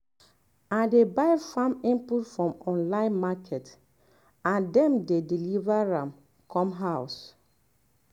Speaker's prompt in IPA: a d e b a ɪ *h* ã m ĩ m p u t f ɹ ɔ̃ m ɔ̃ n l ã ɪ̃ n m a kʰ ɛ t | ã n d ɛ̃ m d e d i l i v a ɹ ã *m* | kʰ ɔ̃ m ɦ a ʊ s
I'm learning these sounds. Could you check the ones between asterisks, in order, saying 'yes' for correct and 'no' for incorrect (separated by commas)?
no, yes